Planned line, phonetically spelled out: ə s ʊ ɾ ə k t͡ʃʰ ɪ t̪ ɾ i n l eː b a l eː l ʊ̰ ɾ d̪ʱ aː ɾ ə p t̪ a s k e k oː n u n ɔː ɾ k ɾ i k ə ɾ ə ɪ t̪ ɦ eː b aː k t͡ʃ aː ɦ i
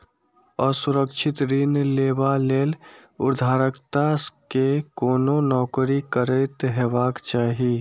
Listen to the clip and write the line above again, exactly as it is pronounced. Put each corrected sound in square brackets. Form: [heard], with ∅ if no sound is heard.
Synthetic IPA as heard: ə s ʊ ɾ ə k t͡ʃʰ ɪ t̪ ɾ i n l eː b a l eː l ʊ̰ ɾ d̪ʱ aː ɾ ə [k] t̪ a s k e k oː n [o] n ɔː [∅] k ɾ i k ə ɾ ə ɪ t̪ ɦ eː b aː k t͡ʃ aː ɦ i